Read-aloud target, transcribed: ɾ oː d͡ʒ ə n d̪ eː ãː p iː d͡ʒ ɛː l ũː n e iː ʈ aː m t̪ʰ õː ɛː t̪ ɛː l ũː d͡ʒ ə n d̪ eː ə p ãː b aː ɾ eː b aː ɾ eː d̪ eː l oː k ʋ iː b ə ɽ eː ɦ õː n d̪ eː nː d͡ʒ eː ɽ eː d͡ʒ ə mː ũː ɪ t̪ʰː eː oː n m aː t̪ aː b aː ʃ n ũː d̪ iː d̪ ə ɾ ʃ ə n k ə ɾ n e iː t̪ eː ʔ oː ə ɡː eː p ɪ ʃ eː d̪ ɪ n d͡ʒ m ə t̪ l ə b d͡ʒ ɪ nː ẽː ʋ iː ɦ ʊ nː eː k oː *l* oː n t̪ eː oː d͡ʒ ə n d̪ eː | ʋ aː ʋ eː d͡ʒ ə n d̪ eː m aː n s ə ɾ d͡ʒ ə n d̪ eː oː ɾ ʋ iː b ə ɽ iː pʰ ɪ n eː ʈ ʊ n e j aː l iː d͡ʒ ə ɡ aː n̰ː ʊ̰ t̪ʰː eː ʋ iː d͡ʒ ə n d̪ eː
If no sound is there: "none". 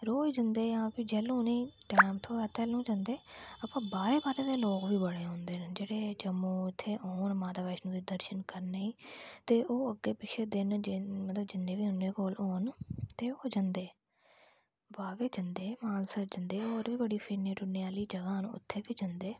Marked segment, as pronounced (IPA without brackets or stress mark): l